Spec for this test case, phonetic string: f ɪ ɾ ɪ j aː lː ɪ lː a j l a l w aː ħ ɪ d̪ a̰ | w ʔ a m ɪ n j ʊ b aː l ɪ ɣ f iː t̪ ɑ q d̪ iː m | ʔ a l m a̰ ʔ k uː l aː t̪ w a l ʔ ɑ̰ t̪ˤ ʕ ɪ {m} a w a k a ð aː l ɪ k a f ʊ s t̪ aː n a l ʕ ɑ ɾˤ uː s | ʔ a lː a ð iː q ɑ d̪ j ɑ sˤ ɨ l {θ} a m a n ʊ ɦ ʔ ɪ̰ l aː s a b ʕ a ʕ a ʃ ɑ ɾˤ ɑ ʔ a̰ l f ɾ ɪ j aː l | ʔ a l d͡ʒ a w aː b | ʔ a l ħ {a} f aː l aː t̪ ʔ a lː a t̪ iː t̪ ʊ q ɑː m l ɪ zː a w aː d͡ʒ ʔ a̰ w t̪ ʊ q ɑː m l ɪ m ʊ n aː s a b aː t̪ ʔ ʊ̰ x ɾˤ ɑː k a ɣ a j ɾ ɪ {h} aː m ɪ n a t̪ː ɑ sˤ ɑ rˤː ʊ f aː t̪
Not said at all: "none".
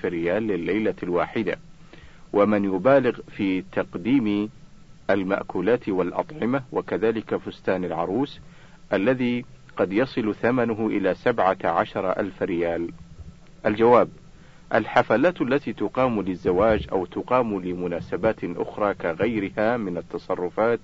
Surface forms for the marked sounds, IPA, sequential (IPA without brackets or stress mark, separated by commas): m, θ, a, h